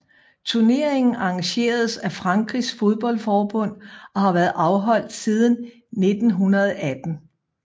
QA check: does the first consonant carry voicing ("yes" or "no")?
no